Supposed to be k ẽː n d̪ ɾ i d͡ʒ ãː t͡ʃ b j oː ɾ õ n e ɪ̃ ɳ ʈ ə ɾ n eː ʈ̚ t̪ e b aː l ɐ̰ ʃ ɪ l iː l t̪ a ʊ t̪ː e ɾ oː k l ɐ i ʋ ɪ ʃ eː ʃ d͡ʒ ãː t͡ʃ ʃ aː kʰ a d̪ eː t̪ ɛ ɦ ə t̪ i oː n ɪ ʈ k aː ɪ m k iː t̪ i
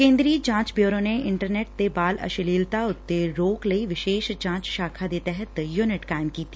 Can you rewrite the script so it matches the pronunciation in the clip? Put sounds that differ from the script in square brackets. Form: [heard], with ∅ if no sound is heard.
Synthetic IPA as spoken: k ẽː n d̪ ɾ i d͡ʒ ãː t͡ʃ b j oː ɾ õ n e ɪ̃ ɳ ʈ ə ɾ n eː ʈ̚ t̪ e b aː l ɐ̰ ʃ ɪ l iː l t̪ a ʊ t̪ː e ɾ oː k l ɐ i ʋ ɪ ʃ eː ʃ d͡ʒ ãː t͡ʃ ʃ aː kʰ a d̪ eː t̪ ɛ ɦ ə t̪ [j] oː n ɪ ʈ k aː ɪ m k iː t̪ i